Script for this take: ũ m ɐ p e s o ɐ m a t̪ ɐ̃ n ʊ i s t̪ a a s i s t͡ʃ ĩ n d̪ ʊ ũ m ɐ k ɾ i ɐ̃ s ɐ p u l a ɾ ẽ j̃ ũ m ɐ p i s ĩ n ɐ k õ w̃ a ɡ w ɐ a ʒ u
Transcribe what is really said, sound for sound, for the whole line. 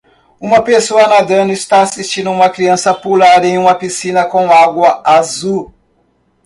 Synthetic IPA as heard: ũ m ɐ p e s o ɐ n a d̪ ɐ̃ n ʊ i s t̪ a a s i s t͡ʃ ĩ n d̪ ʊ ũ m ɐ k ɾ i ɐ̃ s ɐ p u l a ɾ ẽ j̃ ũ m ɐ p i s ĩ n ɐ k õ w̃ a ɡ w ɐ a z u

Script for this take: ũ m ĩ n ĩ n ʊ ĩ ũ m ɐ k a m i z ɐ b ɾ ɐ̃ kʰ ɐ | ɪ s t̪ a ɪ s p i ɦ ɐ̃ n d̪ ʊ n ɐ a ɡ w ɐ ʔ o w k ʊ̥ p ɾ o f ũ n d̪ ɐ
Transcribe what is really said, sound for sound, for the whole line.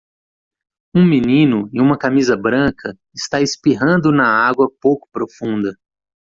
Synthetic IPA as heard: ũ m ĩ n ĩ n ʊ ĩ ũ m ɐ k a m i z ɐ b ɾ ɐ̃ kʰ ɐ | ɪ s t̪ a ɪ s p i ɦ ɐ̃ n d̪ ʊ n ɐ a ɡ w ɐ p o w k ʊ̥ p ɾ o f ũ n d̪ ɐ

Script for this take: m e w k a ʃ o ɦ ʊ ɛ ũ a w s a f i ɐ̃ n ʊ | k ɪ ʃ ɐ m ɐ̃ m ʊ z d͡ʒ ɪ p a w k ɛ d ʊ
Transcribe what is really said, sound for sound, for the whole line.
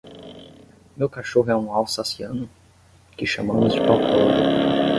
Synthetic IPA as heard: m e w k a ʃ o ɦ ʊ ɛ ũ a w s a s i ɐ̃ n ʊ | k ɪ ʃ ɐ m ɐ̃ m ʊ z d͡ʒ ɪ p a w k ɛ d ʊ

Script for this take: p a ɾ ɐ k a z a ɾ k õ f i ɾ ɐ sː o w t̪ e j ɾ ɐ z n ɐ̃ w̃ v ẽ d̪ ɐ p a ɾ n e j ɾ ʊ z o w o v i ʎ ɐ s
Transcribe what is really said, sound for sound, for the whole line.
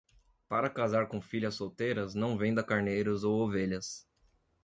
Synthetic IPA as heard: p a ɾ ɐ k a z a ɾ k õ f i ʎ ɐ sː o w t̪ e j ɾ ɐ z n ɐ̃ w̃ v ẽ d̪ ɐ k a ɾ n e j ɾ ʊ z o w o v e ʎ ɐ s

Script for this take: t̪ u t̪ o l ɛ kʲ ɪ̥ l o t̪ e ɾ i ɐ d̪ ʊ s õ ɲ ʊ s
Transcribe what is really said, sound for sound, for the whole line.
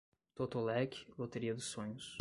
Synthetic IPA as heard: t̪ o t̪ o l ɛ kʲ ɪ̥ l o t̪ e ɾ i ɐ d̪ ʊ s õ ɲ ʊ s

